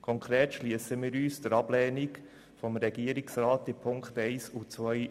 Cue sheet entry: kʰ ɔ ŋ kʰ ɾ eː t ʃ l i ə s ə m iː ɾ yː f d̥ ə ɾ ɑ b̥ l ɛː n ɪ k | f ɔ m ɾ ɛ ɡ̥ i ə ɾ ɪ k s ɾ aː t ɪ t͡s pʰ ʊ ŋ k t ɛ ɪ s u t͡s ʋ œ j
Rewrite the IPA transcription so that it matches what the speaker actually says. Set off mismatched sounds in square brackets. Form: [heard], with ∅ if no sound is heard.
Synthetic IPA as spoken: kʰ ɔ ŋ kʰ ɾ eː t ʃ l i ə s ə m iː ɾ yː [s] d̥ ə ɾ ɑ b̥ l ɛː n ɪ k | f ɔ m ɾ ɛ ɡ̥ i ə ɾ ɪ k s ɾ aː t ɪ [∅] pʰ ʊ ŋ k t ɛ ɪ s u t͡s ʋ œ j